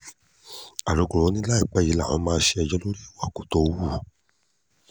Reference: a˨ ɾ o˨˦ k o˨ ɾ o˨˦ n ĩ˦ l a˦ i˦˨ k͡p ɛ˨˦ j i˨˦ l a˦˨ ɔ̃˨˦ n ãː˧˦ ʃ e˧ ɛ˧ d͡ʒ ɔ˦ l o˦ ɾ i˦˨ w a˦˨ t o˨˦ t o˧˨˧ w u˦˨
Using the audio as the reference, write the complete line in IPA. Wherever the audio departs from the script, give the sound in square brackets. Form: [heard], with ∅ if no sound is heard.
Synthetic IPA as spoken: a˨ ɾ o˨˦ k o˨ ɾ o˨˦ n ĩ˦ l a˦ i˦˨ k͡p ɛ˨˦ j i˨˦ l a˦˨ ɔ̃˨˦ [m] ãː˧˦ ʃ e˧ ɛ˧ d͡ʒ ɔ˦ l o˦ ɾ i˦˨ w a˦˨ [k] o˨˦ t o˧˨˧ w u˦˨